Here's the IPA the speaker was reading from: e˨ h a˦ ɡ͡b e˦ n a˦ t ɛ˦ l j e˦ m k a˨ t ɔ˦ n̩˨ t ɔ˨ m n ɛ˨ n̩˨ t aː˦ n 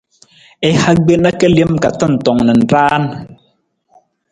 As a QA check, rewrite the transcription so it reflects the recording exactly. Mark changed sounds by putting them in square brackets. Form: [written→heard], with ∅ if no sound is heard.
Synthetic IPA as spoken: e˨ h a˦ ɡ͡b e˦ n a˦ [t→k] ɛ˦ l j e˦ m k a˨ t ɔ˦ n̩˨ t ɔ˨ [m→ŋ] n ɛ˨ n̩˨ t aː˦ n